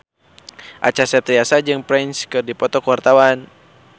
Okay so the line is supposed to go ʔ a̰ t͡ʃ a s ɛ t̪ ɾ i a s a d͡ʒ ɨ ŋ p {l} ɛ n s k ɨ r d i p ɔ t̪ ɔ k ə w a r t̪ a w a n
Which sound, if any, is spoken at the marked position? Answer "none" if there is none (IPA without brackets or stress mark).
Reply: ɾ